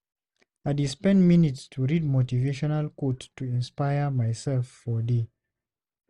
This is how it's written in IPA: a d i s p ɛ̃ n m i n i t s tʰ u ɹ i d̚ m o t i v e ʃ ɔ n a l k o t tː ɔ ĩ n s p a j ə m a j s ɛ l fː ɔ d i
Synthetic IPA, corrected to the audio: a d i s p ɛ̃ n m i n i t s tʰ u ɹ i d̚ m o t i v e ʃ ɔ n a l k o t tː u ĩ n s p a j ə m a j s ɛ l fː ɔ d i